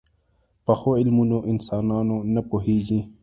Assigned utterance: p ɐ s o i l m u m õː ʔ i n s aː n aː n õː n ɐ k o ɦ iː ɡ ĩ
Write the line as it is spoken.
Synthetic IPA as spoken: p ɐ x o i l m u n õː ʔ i n s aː n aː n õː n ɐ p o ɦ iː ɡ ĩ